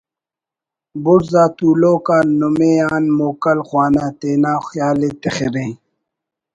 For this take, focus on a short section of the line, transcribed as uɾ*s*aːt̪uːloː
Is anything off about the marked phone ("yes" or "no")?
yes